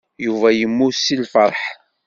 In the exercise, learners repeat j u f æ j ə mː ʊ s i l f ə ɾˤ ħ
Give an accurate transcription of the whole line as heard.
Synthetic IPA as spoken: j u v æ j ə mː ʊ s i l f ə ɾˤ ħ